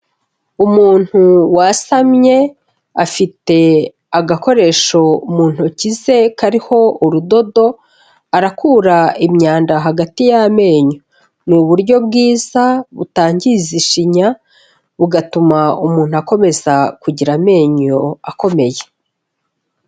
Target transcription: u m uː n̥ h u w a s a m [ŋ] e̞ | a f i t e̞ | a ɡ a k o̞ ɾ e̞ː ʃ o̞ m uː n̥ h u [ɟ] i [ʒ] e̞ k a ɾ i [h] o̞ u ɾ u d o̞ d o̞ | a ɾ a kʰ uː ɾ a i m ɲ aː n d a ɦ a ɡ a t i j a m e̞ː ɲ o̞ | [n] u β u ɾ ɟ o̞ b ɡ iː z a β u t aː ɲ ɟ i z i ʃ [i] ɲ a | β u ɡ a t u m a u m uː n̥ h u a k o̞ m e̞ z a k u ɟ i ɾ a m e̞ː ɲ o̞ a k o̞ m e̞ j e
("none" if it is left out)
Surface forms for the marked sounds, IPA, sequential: ɲ, c, z, h, n, i

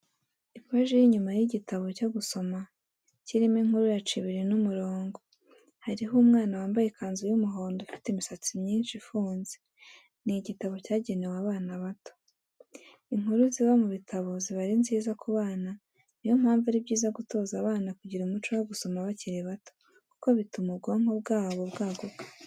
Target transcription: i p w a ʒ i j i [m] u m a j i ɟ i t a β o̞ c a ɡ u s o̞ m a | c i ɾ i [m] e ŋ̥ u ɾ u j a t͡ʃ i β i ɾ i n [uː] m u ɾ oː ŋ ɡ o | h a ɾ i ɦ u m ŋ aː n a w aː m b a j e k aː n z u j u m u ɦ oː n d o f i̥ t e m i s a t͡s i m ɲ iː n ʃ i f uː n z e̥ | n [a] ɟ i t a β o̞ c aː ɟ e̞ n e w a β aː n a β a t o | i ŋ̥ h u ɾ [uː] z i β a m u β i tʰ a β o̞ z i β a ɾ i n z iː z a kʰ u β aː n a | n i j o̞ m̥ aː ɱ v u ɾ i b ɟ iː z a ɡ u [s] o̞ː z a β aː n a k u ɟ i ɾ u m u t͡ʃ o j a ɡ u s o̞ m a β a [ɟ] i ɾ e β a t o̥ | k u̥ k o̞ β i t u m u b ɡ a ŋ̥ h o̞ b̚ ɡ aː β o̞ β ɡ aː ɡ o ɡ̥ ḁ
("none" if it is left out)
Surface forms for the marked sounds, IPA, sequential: ɲ, m, u, i, u, t, c

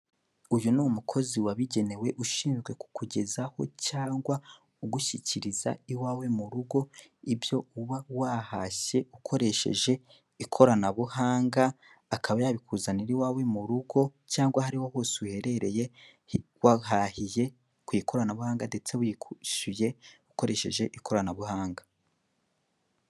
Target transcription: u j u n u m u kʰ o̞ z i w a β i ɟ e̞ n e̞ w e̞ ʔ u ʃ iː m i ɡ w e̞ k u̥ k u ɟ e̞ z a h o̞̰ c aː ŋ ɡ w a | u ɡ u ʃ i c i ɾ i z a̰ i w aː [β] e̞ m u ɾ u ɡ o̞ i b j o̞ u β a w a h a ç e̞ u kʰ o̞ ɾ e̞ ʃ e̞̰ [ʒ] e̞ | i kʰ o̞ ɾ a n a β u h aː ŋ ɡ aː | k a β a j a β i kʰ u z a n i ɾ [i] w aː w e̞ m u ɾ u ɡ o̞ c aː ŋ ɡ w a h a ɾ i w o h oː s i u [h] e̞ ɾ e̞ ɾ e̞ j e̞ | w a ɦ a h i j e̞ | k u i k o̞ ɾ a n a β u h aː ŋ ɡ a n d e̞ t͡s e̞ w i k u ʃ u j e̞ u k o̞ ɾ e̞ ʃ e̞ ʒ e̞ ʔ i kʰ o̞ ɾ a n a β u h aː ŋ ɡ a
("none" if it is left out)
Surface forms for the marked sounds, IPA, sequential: w, ʒ, i, h

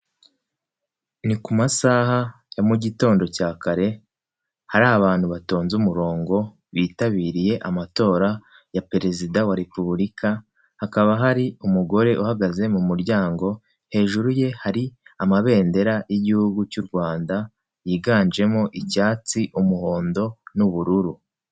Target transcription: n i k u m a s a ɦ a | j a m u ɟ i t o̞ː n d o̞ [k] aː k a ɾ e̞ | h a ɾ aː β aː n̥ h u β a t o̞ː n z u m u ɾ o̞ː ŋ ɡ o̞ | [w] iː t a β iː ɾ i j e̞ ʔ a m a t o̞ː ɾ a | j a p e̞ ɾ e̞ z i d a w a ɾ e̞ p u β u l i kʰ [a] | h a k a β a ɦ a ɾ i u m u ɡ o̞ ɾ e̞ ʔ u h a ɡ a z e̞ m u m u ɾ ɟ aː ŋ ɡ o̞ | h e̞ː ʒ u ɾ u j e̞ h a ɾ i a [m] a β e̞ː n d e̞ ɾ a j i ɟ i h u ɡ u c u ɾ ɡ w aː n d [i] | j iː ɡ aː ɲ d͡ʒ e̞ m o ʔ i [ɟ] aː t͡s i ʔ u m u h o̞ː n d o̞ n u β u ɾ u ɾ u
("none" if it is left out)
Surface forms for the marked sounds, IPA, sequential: c, β, a, m, a, c

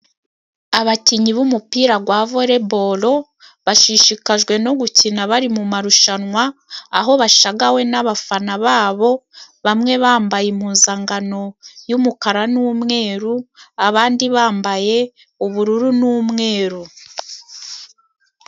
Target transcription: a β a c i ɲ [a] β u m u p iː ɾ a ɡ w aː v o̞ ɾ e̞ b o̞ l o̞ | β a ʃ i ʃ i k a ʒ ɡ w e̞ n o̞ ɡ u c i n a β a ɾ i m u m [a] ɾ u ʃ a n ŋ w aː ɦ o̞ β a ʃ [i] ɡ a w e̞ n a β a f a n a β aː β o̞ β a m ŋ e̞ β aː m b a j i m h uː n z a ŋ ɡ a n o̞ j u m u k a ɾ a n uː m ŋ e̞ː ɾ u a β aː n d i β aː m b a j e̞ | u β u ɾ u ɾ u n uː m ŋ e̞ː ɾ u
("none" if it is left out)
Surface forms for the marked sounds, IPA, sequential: i, a, a

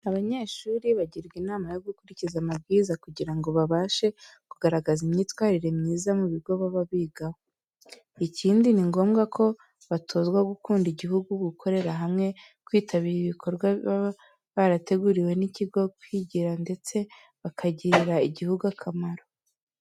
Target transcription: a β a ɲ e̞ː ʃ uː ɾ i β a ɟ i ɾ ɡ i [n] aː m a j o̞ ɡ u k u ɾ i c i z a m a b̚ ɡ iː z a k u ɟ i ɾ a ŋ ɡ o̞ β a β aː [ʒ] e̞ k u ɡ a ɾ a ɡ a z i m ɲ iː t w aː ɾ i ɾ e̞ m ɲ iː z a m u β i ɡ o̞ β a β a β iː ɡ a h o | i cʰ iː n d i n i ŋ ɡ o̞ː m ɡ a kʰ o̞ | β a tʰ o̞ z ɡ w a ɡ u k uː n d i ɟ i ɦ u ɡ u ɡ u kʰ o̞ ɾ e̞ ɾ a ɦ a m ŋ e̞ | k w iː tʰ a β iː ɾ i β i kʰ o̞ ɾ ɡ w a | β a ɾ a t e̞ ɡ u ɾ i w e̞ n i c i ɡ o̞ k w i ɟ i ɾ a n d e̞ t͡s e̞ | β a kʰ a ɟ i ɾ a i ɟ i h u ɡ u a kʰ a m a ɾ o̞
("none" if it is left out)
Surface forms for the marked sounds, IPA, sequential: n, ʃ

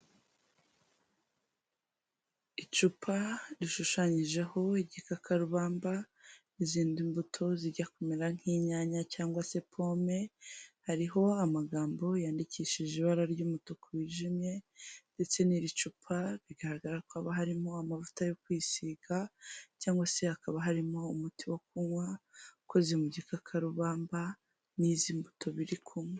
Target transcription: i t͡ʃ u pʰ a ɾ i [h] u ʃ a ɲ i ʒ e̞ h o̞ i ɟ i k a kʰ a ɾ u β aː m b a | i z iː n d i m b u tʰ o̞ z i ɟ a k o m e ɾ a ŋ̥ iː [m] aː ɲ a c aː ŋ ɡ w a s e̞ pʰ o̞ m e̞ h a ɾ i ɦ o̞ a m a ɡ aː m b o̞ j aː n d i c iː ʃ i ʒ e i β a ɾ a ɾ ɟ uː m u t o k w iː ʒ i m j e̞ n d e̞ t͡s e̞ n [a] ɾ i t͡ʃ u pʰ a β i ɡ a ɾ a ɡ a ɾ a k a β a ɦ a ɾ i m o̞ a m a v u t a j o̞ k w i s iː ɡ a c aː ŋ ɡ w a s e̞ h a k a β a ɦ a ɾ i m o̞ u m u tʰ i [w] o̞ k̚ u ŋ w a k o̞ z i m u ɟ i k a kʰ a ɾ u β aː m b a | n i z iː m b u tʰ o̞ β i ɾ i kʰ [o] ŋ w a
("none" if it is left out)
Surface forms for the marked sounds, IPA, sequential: ʃ, ɲ, i, w, u

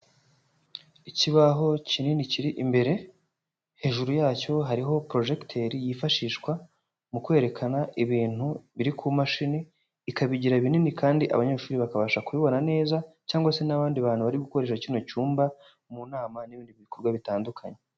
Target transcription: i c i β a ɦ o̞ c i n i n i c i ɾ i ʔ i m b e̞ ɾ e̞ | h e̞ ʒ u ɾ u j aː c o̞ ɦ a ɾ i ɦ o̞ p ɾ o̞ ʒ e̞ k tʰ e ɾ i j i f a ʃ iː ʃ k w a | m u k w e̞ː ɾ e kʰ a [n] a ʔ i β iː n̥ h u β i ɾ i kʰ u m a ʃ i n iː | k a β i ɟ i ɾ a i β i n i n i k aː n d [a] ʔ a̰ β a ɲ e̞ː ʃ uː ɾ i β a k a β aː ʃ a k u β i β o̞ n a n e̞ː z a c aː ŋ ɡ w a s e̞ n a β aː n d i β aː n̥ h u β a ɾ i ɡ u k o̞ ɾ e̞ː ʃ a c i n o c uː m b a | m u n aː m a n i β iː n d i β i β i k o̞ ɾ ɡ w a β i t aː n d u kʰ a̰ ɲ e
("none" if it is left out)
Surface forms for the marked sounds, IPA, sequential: n, i

